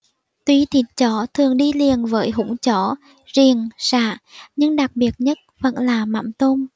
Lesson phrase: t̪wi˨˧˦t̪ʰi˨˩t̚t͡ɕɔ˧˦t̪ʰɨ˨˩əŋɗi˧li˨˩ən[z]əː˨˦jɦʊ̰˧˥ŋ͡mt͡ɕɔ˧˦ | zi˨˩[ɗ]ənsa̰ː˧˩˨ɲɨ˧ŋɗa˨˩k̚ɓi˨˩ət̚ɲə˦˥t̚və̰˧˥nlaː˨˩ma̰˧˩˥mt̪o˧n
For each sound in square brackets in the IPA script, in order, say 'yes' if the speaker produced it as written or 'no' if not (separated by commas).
no, no